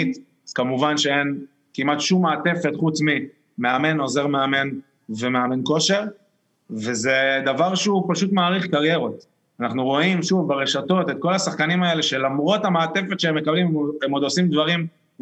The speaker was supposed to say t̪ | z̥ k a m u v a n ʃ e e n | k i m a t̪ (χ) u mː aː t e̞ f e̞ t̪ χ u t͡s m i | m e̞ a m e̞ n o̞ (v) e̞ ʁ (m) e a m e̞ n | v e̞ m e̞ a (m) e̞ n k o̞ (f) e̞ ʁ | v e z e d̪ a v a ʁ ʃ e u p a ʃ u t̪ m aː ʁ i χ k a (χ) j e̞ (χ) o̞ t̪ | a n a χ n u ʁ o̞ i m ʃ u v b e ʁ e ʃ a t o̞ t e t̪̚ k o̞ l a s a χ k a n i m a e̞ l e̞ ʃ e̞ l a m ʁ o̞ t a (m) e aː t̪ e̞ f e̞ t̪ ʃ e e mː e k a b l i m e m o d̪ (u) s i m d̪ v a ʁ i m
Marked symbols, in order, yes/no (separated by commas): no, no, yes, yes, no, no, no, yes, no